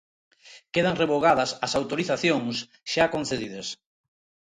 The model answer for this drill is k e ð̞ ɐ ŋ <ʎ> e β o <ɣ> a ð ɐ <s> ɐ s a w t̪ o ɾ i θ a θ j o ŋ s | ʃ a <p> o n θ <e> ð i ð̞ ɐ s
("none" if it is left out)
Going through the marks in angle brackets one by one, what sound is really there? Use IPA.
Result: r, ɣ, s, k, e

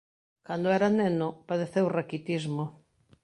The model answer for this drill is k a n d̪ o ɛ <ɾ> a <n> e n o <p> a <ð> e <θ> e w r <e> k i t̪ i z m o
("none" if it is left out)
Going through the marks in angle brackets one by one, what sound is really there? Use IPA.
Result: ɾ, n, p, ð, θ, a

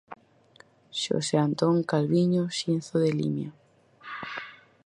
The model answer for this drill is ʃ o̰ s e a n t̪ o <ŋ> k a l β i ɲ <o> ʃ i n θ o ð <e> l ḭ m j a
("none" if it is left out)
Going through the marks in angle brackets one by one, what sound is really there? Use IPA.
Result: ŋ, o, e

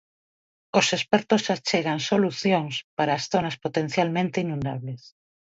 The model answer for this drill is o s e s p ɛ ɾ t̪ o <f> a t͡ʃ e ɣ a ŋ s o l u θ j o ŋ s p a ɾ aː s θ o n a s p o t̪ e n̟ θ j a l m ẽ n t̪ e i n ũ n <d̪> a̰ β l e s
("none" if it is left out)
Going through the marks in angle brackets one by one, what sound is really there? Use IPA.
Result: s, d̪

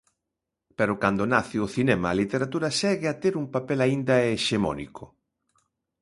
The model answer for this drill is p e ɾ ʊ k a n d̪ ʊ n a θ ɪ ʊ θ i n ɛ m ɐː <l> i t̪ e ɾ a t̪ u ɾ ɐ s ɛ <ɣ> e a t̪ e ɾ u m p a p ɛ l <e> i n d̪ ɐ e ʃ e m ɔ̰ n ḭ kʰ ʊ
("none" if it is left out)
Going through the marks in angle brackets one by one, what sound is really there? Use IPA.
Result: l, ɣ, a

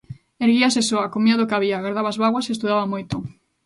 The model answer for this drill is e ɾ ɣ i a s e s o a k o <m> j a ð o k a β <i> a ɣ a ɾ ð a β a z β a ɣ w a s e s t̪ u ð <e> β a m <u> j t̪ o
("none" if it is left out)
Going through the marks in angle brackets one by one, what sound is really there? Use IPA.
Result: m, i, a, o

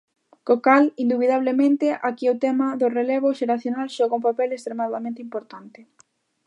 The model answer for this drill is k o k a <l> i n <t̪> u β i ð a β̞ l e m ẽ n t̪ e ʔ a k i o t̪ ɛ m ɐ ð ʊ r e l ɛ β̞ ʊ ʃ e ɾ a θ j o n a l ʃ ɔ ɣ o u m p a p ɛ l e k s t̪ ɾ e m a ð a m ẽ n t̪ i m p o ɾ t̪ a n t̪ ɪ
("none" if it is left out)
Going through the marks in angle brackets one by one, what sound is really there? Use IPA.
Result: l, d̪

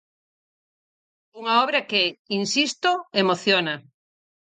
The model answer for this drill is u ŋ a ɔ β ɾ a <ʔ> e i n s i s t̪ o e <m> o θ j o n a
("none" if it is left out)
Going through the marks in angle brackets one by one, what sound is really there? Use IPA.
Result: k, m

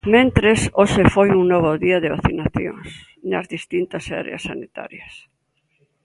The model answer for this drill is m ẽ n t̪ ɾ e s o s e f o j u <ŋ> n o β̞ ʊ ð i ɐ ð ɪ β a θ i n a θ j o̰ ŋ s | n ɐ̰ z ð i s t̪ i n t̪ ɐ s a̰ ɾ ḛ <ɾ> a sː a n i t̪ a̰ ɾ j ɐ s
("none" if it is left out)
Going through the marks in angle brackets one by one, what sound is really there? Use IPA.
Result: ŋ, none

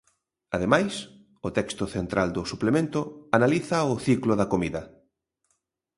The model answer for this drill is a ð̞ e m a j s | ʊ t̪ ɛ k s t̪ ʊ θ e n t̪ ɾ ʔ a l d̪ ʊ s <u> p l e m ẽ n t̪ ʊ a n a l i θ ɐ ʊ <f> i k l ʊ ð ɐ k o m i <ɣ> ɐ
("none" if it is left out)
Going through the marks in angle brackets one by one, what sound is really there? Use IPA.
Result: u, θ, ð

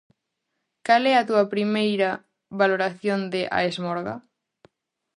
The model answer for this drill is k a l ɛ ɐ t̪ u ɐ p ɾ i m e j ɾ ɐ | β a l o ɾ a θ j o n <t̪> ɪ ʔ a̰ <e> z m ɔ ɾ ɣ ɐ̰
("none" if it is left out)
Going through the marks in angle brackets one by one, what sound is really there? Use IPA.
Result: d̪, e

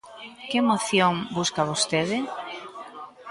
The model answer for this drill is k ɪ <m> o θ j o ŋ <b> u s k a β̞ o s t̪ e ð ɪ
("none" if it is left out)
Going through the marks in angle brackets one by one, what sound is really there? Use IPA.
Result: m, b

